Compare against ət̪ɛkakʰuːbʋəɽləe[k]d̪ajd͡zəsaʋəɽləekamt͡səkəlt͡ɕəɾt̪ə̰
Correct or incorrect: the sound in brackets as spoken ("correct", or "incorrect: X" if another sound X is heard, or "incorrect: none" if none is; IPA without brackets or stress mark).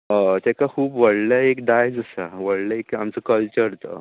correct